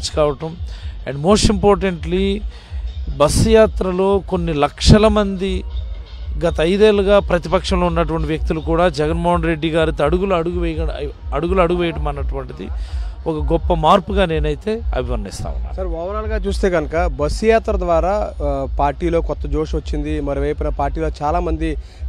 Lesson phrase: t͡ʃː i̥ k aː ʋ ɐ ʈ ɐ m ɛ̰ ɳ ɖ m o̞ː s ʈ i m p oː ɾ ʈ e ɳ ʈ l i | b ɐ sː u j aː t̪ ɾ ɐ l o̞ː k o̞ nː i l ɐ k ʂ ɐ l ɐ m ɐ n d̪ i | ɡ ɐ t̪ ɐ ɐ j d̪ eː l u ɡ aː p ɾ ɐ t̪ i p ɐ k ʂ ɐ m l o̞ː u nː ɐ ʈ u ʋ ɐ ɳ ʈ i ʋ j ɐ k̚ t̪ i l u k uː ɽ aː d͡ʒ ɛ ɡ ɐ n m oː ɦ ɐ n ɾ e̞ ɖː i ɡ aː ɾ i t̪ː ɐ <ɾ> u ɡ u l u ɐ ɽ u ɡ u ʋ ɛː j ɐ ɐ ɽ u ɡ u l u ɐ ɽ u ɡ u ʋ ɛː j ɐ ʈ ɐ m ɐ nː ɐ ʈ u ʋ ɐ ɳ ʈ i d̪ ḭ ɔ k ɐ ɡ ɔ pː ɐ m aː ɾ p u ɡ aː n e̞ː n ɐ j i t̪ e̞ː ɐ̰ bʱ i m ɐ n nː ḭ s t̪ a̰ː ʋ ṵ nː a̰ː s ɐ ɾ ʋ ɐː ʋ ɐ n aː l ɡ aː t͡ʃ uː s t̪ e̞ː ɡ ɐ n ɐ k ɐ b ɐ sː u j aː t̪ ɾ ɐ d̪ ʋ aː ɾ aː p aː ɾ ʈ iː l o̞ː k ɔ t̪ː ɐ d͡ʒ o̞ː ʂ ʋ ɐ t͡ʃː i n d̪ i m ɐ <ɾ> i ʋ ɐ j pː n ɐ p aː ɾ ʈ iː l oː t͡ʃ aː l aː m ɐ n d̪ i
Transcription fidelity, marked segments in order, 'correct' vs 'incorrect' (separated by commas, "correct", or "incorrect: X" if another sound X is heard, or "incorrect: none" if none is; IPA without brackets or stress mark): incorrect: ɽ, correct